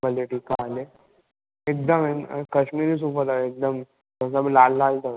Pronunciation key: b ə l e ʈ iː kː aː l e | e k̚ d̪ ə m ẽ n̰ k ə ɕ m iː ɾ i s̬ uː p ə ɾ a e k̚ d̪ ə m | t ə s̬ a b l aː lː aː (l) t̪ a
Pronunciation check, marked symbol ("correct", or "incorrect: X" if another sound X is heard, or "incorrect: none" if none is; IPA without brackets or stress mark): correct